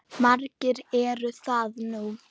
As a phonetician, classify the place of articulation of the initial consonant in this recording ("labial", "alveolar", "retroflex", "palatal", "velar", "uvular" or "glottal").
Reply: labial